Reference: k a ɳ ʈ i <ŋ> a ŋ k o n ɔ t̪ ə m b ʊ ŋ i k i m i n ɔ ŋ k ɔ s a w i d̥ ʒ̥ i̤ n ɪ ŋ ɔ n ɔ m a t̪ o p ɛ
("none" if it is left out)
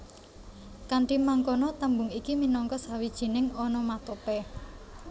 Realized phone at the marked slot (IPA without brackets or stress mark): m